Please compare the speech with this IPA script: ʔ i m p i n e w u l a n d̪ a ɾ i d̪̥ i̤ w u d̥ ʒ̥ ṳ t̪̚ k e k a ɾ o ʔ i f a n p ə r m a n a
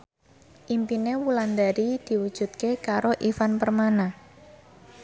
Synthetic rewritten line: ʔ i m p i n e w u l a n d̪ a ɾ i d̪̥ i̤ w u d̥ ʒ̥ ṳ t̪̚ k e k a ɾ o ʔ i f a n p ə r m a n a